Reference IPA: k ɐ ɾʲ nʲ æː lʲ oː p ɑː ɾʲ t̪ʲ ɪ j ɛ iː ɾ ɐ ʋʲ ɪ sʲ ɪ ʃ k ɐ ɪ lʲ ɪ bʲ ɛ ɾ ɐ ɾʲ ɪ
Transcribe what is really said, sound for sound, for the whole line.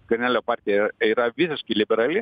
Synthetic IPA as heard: k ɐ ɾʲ nʲ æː lʲ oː p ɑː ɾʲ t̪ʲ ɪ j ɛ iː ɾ ɐ ʋʲ ɪ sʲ ɪ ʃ k ɐ ɪ lʲ ɪ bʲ ɛ ɾ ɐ lʲ ɪ